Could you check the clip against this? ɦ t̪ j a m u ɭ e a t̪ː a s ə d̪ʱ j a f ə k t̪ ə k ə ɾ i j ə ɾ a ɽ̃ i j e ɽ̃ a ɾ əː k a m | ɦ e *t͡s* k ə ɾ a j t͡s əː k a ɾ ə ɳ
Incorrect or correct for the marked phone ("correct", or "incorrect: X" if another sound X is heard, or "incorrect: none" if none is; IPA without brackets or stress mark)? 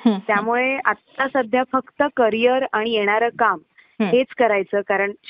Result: correct